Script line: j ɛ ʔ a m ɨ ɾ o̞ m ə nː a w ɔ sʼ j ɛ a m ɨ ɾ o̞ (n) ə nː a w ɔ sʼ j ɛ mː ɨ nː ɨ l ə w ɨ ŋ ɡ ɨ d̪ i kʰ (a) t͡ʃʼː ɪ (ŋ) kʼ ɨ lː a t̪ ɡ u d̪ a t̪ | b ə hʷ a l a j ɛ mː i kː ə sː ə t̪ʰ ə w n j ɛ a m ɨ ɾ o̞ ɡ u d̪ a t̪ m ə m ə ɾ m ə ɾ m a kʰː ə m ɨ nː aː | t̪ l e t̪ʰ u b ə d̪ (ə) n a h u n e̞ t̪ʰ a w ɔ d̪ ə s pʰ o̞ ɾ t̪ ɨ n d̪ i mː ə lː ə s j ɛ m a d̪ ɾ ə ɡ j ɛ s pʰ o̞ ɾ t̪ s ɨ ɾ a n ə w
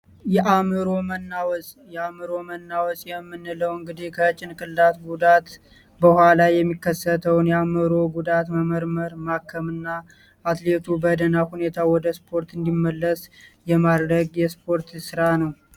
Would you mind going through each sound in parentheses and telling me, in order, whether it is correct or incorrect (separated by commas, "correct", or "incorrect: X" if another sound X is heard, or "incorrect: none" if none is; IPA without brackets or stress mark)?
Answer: incorrect: m, incorrect: ə, incorrect: n, correct